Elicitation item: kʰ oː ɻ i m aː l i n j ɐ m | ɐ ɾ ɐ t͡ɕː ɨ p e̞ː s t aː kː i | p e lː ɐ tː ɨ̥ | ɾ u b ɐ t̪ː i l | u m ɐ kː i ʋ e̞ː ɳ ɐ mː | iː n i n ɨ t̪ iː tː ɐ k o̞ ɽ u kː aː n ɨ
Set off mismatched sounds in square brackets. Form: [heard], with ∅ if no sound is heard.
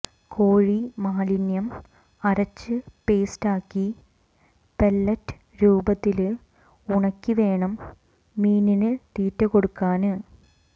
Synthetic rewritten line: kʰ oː ɻ i m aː l i n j ɐ m | ɐ ɾ ɐ t͡ɕː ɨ p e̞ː s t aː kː i | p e lː ɐ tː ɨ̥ | ɾ [uː] b ɐ t̪ː i l | u [ɳ] ɐ kː i ʋ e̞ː ɳ ɐ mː | iː n i n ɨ t̪ iː tː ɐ k o̞ ɽ u kː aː n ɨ